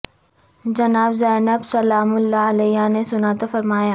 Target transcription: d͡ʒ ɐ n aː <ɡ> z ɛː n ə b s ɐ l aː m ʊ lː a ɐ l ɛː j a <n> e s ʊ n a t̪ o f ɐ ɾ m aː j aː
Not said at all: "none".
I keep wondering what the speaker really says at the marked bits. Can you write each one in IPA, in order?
b, n

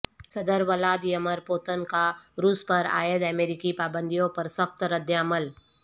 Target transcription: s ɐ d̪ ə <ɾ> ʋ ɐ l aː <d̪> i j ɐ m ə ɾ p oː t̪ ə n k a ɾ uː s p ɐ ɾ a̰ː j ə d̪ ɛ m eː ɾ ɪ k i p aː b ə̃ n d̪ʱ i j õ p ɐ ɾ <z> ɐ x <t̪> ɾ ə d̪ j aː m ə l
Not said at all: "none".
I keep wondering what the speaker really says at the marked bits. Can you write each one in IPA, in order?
ɾ, d̪, s, t̪

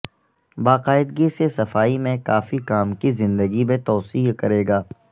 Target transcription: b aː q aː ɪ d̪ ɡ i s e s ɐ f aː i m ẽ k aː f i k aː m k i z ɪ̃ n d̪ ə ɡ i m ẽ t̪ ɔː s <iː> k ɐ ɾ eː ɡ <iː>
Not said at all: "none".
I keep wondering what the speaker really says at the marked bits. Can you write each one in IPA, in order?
iː, aː

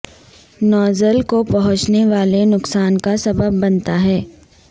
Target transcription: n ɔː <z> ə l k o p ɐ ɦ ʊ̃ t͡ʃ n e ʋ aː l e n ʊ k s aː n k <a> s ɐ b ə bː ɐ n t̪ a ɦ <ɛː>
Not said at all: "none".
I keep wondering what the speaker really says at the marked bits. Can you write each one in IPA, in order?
z, a, ɛː

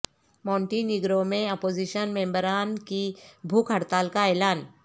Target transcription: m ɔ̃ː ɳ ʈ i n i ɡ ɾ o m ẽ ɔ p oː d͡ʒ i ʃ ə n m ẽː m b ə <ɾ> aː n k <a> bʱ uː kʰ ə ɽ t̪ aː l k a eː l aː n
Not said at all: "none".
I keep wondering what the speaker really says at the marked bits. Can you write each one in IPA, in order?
ɾ, i

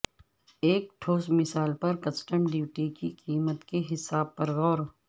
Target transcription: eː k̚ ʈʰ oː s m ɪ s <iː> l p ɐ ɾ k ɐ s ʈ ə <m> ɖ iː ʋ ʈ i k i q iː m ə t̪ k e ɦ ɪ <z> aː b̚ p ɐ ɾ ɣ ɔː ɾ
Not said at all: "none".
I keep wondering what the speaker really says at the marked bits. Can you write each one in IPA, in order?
aː, m, s

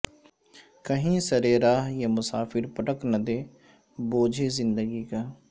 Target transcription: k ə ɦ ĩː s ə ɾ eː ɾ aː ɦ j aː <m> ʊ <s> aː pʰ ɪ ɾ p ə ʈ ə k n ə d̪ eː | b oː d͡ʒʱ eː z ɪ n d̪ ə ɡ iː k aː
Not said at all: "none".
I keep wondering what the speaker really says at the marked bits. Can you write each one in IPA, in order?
m, s

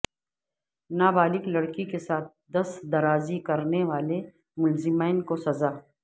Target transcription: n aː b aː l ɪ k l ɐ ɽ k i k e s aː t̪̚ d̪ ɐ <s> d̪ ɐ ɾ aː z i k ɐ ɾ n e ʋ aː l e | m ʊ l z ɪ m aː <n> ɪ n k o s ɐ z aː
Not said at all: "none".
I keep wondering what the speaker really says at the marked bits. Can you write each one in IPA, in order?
s, none

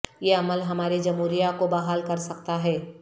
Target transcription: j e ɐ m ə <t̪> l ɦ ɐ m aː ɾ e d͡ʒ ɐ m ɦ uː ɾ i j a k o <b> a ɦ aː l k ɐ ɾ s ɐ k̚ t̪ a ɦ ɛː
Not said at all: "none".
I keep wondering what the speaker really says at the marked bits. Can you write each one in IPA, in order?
none, b

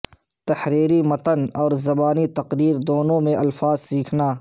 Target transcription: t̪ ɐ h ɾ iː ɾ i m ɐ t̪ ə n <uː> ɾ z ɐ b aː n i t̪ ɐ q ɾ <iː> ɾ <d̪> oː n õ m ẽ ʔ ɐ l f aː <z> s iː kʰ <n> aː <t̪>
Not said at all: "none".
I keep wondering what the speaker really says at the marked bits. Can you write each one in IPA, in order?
ɔː, iː, d̪, z, n, none

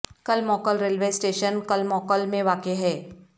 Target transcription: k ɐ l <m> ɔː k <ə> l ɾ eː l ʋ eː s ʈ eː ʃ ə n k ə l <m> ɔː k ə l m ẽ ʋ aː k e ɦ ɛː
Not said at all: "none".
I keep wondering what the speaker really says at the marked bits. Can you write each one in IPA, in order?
m, ə, m

